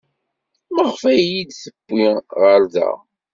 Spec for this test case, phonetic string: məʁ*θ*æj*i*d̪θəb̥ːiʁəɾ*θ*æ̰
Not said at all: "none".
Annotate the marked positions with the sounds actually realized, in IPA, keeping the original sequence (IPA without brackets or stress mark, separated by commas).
f, i, ð